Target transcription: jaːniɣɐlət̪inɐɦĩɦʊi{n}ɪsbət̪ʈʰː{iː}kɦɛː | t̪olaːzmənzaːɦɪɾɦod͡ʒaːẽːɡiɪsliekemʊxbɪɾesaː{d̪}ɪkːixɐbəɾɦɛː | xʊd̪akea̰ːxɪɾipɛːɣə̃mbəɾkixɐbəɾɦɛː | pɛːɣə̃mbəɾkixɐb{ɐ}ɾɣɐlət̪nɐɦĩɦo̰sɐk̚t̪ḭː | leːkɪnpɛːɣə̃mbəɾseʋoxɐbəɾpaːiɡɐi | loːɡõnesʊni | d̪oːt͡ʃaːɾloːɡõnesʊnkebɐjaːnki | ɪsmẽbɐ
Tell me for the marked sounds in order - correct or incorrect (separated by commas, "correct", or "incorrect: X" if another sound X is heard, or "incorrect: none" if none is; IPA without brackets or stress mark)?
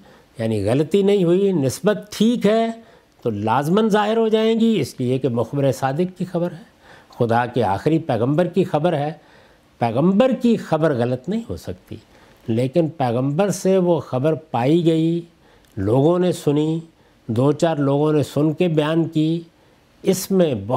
correct, correct, correct, incorrect: ə